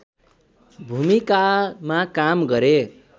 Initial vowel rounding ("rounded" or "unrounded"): rounded